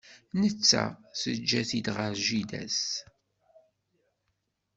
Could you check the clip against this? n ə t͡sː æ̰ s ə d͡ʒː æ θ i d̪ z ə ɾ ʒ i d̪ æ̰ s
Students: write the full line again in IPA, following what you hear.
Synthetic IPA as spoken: n ə t͡sː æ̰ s ə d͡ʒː æ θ i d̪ ʁ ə ɾ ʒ i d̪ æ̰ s